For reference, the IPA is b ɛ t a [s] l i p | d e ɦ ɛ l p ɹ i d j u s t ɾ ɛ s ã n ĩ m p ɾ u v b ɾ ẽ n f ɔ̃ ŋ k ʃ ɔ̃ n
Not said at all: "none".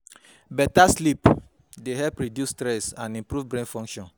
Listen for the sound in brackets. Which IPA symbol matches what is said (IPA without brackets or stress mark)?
s